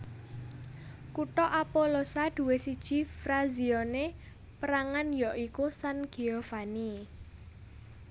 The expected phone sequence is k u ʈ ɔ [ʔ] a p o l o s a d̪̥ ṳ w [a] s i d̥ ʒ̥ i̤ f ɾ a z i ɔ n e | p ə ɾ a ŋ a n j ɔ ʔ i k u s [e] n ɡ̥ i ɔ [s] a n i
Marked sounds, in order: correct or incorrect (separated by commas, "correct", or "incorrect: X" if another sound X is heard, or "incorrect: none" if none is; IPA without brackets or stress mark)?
correct, incorrect: e, incorrect: a, incorrect: f